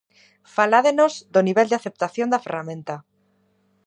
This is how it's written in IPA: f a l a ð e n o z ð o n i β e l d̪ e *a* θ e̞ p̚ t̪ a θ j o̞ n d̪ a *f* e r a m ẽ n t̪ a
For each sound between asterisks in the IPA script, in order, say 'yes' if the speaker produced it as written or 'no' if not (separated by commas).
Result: yes, yes